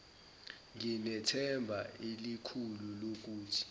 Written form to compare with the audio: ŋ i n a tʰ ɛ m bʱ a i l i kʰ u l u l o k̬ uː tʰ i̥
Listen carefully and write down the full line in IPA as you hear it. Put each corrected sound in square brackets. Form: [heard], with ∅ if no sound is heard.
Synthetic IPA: ŋ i n [ɛ] tʰ ɛ m bʱ a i l i kʰ u l u l o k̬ uː tʰ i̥